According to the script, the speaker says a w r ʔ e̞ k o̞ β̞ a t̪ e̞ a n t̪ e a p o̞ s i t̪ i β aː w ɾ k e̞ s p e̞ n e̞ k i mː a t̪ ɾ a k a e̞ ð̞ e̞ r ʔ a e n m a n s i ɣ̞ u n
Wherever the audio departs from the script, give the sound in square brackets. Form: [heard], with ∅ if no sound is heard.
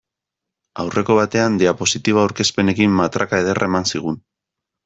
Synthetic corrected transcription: a w r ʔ e̞ k o̞ β̞ a t̪ e̞ a n [d̪] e a p o̞ s i t̪ i β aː w ɾ k e̞ s p e̞ n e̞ k i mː a t̪ ɾ a k a e̞ ð̞ e̞ r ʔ a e [∅] m a n s i ɣ̞ u n